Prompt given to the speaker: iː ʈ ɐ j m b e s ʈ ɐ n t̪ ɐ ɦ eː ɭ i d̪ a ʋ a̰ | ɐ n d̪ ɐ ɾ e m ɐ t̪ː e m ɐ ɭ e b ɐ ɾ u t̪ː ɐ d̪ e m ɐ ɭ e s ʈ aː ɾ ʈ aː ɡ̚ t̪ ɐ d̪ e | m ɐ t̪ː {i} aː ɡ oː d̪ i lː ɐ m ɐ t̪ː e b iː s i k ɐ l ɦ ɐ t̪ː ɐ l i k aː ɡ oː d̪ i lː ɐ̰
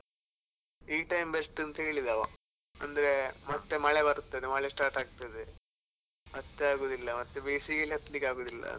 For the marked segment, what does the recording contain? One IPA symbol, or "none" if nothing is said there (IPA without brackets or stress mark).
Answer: e